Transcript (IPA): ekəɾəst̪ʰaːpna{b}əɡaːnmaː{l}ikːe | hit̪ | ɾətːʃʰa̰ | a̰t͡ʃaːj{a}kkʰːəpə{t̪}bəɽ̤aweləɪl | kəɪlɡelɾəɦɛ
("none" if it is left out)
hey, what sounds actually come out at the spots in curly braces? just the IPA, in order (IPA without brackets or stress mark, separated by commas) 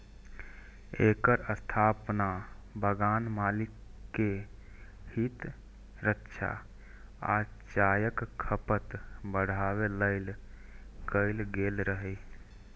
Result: b, l, ə, t̪